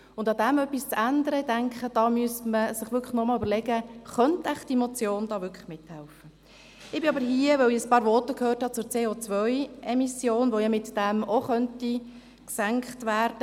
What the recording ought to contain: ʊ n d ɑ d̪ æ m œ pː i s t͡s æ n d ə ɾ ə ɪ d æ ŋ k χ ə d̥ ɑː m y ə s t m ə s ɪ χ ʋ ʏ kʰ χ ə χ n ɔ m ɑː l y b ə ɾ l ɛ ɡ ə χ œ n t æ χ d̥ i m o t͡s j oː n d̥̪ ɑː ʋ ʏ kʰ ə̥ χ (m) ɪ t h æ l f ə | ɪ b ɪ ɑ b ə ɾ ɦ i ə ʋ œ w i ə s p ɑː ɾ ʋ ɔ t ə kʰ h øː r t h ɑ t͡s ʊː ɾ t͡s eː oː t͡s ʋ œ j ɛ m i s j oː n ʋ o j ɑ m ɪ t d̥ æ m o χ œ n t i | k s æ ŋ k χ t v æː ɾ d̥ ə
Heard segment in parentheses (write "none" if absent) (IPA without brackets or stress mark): m